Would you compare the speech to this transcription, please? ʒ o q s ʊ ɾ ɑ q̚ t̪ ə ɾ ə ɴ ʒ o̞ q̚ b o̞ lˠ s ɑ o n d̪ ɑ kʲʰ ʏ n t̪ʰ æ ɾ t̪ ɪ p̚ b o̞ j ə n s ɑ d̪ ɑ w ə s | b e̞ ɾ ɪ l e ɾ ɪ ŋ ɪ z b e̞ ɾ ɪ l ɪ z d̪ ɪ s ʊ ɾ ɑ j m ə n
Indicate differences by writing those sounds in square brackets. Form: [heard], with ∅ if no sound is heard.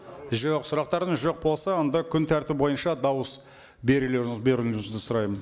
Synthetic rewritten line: ʒ o q s ʊ ɾ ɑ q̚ t̪ [ɑ] ɾ ə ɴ ʒ o̞ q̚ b o̞ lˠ s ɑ o n d̪ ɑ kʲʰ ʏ n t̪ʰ æ ɾ t̪ ɪ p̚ b o̞ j ə n [ʃ] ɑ d̪ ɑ w ə s | b e̞ ɾ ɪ l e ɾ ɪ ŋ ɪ z b e̞ ɾ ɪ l ɪ z d̪ ɪ s ʊ ɾ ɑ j m ə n